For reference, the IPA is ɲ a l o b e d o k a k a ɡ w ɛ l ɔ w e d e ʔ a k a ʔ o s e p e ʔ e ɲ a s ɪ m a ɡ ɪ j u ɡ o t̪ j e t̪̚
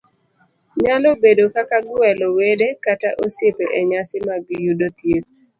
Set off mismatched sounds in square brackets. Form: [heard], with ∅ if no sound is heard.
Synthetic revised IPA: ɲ a l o b e d o k a k a ɡ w ɛ l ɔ w e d e [k] a [t] a ʔ o s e p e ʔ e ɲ a s ɪ m a ɡ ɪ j u [d] o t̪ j e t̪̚